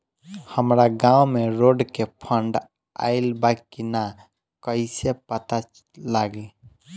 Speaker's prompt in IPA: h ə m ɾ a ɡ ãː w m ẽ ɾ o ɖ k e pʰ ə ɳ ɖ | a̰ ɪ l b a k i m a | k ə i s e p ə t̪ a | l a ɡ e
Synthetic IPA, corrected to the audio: h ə m ɾ a ɡ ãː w m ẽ ɾ o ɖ k e pʰ ə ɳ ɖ | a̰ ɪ l b a k i n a | k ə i s e p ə t̪ a | l a ɡ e

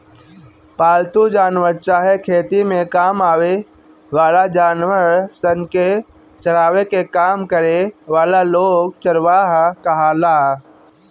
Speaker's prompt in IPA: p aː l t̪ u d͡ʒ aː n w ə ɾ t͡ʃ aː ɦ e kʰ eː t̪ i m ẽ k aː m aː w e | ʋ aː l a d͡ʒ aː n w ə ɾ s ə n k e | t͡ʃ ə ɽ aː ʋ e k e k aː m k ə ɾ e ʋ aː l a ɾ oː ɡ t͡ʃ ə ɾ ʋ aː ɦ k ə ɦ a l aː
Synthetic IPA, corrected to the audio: p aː l t̪ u d͡ʒ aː n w ə ɾ t͡ʃ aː ɦ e kʰ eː t̪ i m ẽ k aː m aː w e | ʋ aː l a d͡ʒ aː n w ə ɾ s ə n k e | t͡ʃ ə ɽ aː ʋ e k e k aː m k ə ɾ e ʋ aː l a l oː ɡ t͡ʃ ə ɾ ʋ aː ɦ k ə ɦ a l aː

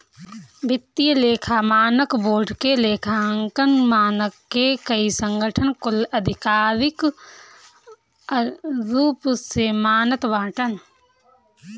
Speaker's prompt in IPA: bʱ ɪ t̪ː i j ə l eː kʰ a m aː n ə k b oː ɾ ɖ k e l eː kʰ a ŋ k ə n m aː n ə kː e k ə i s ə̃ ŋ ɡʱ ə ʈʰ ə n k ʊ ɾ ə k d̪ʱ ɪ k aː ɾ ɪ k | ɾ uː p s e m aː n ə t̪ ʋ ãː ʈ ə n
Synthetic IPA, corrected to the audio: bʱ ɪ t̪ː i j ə l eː kʰ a m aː n ə k b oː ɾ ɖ k e l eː kʰ a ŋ k ə n m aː n ə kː e k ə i s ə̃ ŋ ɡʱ ə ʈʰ ə n k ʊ l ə d̪ʱ ɪ k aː ɾ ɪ k | ɾ uː p s e m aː n ə t̪ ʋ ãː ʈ ə n

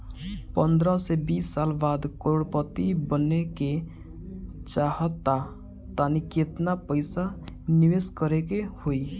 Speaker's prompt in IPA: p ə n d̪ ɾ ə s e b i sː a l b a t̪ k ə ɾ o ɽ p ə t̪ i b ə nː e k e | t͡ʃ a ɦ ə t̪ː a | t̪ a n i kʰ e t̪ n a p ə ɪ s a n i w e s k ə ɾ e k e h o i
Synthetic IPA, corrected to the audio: p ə n d̪ ɾ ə s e b i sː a l b a d̪ k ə ɾ o ɽ p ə t̪ i b ə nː e k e | t͡ʃ a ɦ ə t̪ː a | t̪ a n i k e t̪ n a p ə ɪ s a n i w e s k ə ɾ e k e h o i

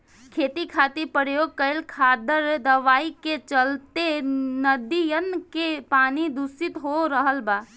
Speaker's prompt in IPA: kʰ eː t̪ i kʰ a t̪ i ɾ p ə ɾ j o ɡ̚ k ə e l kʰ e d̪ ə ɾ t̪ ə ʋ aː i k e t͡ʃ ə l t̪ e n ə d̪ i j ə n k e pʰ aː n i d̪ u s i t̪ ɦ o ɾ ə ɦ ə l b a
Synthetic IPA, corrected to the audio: kʰ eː t̪ i kʰ a t̪ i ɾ p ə ɾ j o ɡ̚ k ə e l kʰ a d̪ ə ɾ d̪ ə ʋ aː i k e t͡ʃ ə l t̪ e n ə d̪ i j ə n k e p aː n i d̪ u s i t̪ ɦ o ɾ ə ɦ ə l b a

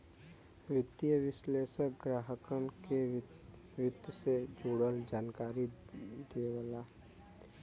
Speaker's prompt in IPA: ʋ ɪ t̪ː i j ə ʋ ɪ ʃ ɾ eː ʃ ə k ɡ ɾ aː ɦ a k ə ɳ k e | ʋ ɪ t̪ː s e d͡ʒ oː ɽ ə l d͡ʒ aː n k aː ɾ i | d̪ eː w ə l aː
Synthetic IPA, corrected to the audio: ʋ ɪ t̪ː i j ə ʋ ɪ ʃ l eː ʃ ə k ɡ ɾ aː ɦ ə k ə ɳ k e | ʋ ɪ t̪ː s e d͡ʒ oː ɽ ə l d͡ʒ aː n k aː ɾ i | d̪ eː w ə l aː

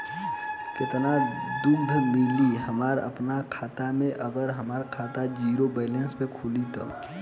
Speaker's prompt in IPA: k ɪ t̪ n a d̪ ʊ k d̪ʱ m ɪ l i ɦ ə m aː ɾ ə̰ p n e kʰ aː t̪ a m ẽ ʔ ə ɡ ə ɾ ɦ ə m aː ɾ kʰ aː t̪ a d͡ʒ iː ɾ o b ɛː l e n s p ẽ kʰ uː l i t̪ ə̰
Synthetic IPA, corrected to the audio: k ɪ t̪ n a d̪ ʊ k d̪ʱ m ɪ l i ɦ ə m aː ɾ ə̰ p n a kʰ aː t̪ a m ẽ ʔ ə ɡ ə ɾ ɦ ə m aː ɾ kʰ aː t̪ a d͡ʒ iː ɾ o b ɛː l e n s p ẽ kʰ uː l i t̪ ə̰

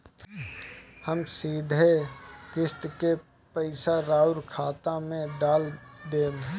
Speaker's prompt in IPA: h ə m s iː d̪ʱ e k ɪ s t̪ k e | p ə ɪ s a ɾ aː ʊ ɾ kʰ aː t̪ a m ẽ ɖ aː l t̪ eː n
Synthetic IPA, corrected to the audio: h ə m s iː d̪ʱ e k ɪ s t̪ k e | p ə ɪ s a ɾ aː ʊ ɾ kʰ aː t̪ a m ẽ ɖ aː l d̪ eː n

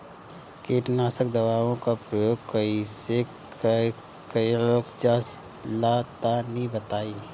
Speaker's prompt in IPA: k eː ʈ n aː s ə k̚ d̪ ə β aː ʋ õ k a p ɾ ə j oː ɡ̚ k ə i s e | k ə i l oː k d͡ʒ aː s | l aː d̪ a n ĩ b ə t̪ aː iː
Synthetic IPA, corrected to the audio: k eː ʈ n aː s ə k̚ d̪ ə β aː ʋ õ k a p ɾ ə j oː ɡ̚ k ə i s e | k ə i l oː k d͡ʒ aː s | l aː t̪ a n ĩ b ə t̪ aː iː

